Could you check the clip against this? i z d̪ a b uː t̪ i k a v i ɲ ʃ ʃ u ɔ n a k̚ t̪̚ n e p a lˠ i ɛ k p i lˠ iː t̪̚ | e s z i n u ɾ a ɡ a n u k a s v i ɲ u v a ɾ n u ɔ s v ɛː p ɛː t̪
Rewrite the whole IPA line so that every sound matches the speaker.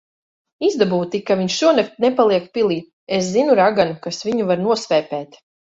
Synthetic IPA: i z d̪ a b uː t̪ i k a v i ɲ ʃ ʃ u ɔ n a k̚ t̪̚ n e p a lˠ i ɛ k p i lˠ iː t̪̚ | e s z i n u ɾ a ɡ a n u k a s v i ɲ u v a ɾ n u ɔ s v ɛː p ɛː t̪

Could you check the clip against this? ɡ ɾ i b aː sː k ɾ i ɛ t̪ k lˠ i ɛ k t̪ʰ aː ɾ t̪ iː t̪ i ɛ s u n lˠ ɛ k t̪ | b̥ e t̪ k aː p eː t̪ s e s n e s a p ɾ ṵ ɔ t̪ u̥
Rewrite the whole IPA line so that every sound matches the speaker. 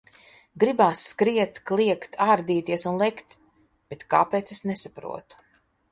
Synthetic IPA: ɡ ɾ i b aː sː k ɾ i ɛ t̪ k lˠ i ɛ k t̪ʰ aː ɾ d̪ iː t̪ i ɛ s u n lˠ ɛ k t̪ | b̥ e t̪ k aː p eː t̪ s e s n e s a p ɾ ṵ ɔ t̪ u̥

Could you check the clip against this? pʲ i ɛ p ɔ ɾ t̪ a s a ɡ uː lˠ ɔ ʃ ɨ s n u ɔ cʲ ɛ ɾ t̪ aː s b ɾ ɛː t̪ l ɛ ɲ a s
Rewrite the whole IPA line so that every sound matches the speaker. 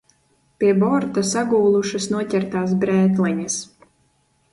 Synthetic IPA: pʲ i ɛ b ɔ ɾ t̪ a s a ɡ uː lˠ u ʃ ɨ s n u ɔ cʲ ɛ ɾ t̪ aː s b ɾ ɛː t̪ l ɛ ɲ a s

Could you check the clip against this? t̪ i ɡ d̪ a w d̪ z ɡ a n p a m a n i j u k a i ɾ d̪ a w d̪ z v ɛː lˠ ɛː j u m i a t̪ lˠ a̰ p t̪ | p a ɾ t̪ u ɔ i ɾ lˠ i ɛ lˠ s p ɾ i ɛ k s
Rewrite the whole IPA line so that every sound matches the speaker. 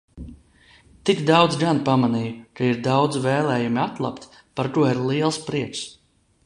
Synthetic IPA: t̪ i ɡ d̪ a w d̪ z ɡ a n p a m a n i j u k a i ɾ d̪ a w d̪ z v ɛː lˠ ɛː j u m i a t̪ lˠ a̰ p t̪ | p a ɾ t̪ u ɔ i ɾ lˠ i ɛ lˠ s p ɾ i ɛ k s

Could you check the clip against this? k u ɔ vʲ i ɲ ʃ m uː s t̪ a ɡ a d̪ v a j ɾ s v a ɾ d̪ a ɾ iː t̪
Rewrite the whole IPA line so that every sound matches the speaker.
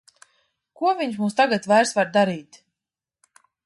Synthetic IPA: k u ɔ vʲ i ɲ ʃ m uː s t̪ a ɡ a t̪ v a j ɾ s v a ɾ d̪ a ɾ iː t̪

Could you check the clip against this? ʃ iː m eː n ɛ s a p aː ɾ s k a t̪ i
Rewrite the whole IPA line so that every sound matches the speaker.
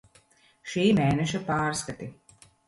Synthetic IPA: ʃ iː m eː n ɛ ʃ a p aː ɾ s k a t̪ i

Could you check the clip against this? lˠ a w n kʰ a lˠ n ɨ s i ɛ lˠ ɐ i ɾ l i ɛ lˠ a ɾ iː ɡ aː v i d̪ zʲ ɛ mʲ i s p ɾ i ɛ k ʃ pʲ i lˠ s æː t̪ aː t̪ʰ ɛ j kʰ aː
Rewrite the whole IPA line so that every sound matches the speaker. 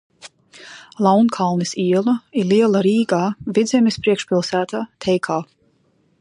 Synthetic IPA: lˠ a w n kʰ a lˠ n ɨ s i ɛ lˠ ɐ i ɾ l i ɛ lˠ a ɾ iː ɡ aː v i d̪ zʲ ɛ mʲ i s p ɾ i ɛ k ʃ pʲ i lˠ s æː t̪ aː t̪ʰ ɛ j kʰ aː

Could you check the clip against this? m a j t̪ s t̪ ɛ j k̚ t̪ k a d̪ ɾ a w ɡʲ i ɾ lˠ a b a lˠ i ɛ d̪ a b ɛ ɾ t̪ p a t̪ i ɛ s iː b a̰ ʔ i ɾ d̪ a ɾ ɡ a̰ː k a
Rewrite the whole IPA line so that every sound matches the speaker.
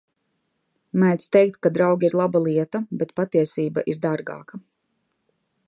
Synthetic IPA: m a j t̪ s t̪ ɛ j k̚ t̪ k a d̪ ɾ a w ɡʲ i ɾ lˠ a b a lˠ i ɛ t̪ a b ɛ t̪ p a t̪ i ɛ s iː b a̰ ʔ i ɾ d̪ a ɾ ɡ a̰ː k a

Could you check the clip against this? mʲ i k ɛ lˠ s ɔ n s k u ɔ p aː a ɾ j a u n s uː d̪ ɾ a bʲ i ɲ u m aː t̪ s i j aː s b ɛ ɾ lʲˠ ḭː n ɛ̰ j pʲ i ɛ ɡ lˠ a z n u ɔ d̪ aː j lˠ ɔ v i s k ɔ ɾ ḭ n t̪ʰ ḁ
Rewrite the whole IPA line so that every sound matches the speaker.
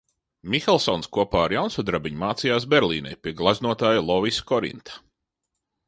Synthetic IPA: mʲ i x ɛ lˠ s ɔ n s k u ɔ p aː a ɾ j a w n s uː d̪ ɾ a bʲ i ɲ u m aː t̪ s i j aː s b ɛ ɾ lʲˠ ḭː n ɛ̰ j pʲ i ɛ ɡ lˠ a z n u ɔ t̪ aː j lˠ ɔ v i s k ɔ ɾ ḭ n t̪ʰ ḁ

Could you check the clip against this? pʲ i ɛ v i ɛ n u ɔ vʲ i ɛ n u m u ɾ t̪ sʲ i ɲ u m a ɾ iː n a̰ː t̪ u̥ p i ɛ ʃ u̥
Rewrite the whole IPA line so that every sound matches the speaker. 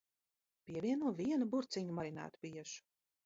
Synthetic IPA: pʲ i ɛ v i ɛ n u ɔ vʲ i ɛ n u b u ɾ t̪ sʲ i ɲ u m a ɾ i n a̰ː t̪ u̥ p i ɛ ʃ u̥

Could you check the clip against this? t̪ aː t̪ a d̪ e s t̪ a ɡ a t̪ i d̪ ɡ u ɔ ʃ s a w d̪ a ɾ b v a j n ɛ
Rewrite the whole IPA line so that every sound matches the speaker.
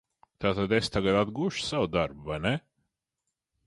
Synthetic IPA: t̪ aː t̪ a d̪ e s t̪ a ɡ a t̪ a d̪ ɡ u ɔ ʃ s a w d̪ a ɾ b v a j n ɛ

